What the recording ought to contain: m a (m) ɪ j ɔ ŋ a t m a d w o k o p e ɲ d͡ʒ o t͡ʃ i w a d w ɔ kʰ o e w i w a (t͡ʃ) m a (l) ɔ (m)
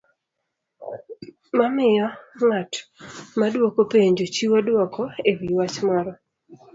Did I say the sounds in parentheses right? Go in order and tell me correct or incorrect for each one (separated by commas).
correct, correct, incorrect, incorrect